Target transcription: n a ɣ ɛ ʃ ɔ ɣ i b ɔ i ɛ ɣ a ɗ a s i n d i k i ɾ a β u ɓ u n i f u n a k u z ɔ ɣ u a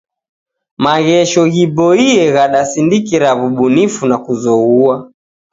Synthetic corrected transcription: m a ɣ ɛ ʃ ɔ ɣ i b ɔ i ɛ ɣ a ɗ a s i n d i k i ɾ a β u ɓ u n i f u n a k u z ɔ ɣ u a